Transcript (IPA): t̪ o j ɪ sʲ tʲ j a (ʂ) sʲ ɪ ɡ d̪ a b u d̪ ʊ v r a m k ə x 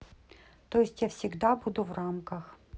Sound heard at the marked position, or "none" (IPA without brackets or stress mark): f